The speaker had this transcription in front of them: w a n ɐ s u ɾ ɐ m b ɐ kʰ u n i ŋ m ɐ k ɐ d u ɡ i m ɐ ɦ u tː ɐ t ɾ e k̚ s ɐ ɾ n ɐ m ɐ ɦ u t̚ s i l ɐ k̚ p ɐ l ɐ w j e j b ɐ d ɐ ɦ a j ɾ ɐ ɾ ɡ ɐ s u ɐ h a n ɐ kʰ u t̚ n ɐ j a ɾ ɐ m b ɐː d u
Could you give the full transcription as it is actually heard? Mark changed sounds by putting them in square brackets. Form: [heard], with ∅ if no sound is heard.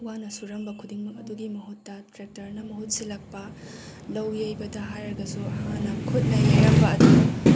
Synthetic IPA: w a n ɐ s u ɾ ɐ m b ɐ kʰ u [d] i ŋ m ɐ k ɐ d u ɡ i m ɐ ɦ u tː ɐ t ɾ e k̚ [t] ɐ ɾ n ɐ m ɐ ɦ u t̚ s i l ɐ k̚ p ɐ l ɐ w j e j b ɐ d ɐ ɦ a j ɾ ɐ ɾ ɡ ɐ s u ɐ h a n ɐ kʰ u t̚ n ɐ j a ɾ ɐ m b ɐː d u